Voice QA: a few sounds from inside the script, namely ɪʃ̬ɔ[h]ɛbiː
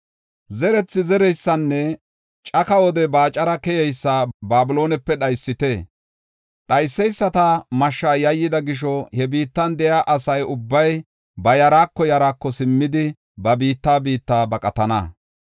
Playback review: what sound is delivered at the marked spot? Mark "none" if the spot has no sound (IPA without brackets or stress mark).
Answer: h